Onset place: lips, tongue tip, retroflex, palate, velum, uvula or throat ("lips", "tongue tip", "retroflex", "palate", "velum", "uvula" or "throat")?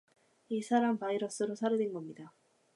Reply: tongue tip